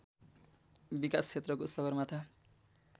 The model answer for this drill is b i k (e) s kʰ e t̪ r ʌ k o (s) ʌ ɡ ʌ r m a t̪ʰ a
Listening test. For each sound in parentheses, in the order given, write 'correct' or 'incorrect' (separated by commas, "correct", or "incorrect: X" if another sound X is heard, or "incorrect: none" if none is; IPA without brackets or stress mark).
incorrect: a, correct